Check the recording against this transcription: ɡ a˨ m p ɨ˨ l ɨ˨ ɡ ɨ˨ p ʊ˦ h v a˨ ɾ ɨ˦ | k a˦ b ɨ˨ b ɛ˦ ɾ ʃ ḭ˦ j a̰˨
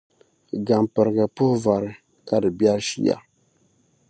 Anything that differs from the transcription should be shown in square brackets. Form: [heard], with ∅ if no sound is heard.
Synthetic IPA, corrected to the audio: ɡ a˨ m p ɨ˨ [ɾ] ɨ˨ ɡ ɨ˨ p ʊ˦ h v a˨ ɾ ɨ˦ | k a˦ [d] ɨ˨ b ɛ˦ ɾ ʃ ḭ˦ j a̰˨